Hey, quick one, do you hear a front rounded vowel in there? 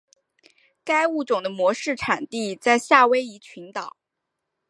no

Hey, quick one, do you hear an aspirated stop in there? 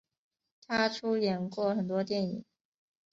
yes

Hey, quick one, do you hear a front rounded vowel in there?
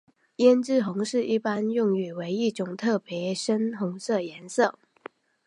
yes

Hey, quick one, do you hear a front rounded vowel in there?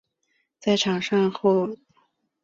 no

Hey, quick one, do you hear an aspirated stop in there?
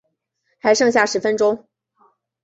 no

